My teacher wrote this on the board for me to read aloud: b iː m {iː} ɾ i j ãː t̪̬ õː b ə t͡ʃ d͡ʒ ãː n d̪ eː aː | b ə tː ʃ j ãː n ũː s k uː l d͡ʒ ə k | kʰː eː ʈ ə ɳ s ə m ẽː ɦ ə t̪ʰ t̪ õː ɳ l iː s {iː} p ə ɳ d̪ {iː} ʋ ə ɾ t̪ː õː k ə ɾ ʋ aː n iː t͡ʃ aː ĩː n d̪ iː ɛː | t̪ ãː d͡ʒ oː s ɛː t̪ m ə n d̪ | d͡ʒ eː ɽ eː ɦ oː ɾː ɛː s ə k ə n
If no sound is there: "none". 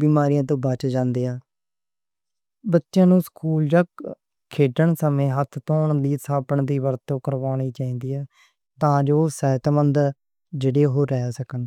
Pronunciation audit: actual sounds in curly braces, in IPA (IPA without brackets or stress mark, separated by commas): aː, aː, iː